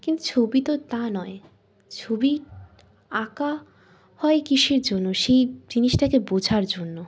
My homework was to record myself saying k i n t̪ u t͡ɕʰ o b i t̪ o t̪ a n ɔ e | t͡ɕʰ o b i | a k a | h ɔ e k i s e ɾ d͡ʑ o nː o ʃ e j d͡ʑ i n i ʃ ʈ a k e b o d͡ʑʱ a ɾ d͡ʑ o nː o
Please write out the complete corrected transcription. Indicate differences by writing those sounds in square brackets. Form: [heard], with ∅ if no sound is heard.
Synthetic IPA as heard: k i n t̪ u t͡ɕʰ o b i t̪ o t̪ a n ɔ e | t͡ɕʰ o b i | a k a | h ɔ e k i [ʃ] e ɾ d͡ʑ o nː o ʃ e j d͡ʑ i n i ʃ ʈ a k e b o d͡ʑʱ a ɾ d͡ʑ o nː o